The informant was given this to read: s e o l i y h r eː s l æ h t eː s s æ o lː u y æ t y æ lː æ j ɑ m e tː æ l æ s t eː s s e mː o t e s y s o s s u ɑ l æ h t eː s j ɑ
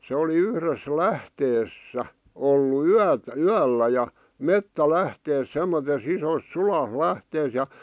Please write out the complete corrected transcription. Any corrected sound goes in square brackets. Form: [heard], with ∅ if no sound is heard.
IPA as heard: s e o l i y h r [e] s l æ h t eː s s æ o lː u y æ t y æ lː æ j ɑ m e tː æ l æ [h] t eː s s e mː o t e s [i] s o s s u ɑ l æ h t eː s j ɑ

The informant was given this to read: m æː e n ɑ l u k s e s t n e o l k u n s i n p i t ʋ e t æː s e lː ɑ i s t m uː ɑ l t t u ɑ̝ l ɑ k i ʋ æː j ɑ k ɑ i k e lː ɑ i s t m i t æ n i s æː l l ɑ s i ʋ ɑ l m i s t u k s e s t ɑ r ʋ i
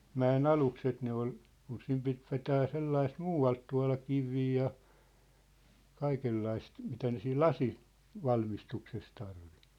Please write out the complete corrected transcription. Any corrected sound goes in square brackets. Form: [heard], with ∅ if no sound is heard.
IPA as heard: m [æ] e n ɑ l u k s e [∅] t n e o l k u n s i [m] p i t ʋ e t æː s e lː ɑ i s t m uː ɑ l t t u ɑ̝ l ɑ k i ʋ [iː] j ɑ k ɑ i k e lː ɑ i s t m i t æ n [e] s [iː] l l ɑ s i ʋ ɑ l m i s t u k s e s t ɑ r ʋ i

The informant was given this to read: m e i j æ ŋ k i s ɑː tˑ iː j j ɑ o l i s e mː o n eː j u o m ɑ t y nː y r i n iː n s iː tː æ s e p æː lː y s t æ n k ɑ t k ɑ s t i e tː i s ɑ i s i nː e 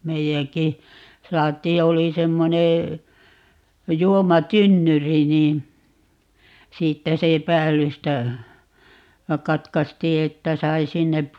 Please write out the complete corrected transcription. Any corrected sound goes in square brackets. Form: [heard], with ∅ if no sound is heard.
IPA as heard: m e i j æ ŋ k i s ɑː tˑ iː j j ɑ o l i s e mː o n eː j u o m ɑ t y nː y r i n iː n s iː tː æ s e p æː lː y s t æ [∅] k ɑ t k ɑ s t [iː] e tː [æ] s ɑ i s i nː e

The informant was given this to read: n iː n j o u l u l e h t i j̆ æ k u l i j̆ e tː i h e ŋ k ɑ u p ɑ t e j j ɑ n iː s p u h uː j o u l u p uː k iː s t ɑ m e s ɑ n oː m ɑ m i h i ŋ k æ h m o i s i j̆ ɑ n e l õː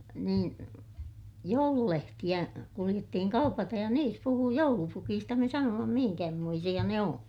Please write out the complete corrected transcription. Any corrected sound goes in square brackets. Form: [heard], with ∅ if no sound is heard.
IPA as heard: n iː n j o u l u l e h t i j̆ æ k u l i j̆ e tː i h [i] ŋ k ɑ u p ɑ t e j j ɑ n iː s p u h uː j o u l u p [u] k iː s t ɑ m e s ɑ n oː m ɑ m i h i ŋ k æ h m o i s i j̆ ɑ n e [∅] õː

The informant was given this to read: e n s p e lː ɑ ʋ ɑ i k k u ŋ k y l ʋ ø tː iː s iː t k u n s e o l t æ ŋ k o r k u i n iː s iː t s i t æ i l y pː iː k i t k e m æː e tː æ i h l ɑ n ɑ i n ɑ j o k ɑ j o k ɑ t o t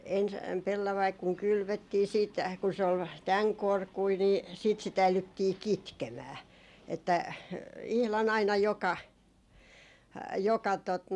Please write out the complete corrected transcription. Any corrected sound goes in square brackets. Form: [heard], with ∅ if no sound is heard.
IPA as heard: e n s p e lː ɑ ʋ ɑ i k k u ŋ k y l ʋ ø tː iː s iː t k u n s e o l t æ ŋ k o r k u i n iː s iː t s i t æ i l y [tː] iː k i t k e m æː e tː æ i h l ɑ n ɑ i n ɑ j o k ɑ j o k ɑ t o t

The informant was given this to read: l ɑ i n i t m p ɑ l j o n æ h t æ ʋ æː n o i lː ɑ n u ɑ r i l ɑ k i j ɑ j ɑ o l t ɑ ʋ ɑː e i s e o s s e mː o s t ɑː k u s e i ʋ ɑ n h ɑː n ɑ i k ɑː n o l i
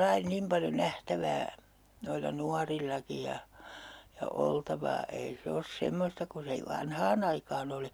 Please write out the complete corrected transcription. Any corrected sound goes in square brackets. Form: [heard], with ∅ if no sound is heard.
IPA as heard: l ɑ i n i [∅] m p ɑ l j o n æ h t æ ʋ æː n o i lː ɑ n u ɑ r i [lː] ɑ k i j ɑ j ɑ o l t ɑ ʋ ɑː e i s e o s s e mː o s t [ɑ] k u s e i ʋ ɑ n h ɑː n ɑ i k ɑː n o l i

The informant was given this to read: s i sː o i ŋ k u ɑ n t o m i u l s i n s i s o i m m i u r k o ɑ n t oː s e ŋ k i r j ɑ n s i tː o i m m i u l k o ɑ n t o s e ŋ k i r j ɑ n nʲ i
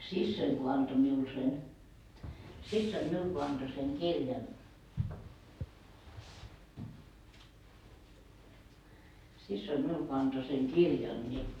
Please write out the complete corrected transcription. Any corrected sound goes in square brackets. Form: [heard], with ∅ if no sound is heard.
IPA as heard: s i sː o i ŋ k [o] ɑ n t o m i u l s [e] n s i [sː] o i m m i u [l] k o ɑ n t [o] s e ŋ k i r j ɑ n s i [sː] o i m m i u l k o ɑ n t o s e ŋ k i r j ɑ n nʲ i

